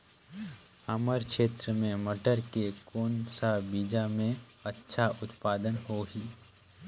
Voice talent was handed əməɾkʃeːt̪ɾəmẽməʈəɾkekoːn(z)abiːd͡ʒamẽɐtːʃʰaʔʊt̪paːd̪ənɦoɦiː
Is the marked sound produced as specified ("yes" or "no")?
no